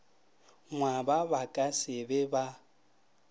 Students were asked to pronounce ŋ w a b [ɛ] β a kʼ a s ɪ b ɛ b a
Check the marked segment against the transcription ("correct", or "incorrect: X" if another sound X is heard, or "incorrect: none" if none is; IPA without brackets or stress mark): incorrect: a